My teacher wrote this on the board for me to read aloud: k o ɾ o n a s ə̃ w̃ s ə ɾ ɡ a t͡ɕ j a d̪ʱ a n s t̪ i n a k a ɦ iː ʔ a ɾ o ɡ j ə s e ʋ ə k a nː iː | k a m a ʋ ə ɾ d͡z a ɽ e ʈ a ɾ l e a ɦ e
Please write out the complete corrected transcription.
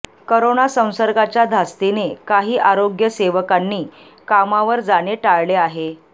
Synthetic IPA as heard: k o ɾ o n a s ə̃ w̃ s ə ɾ ɡ a t͡ɕ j a d̪ʱ a s t̪ i n e k a ɦ iː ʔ a ɾ o ɡ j ə s e ʋ ə k a nː iː | k a m a ʋ ə ɾ d͡z a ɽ e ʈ a ɭ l e a ɦ e